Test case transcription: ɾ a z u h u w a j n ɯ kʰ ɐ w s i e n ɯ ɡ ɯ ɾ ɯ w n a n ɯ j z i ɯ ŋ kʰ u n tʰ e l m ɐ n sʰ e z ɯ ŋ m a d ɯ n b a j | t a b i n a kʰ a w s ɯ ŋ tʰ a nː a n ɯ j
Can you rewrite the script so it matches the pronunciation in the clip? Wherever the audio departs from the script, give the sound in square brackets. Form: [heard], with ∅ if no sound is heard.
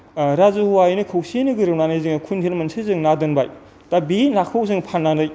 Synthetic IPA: ɾ a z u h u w a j n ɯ kʰ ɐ w s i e n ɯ ɡ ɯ ɾ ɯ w n a n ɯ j z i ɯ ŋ kʰ u n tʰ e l m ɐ n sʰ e z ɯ ŋ [n] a d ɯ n b a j | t a b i n a kʰ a w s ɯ ŋ [pʰ] a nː a n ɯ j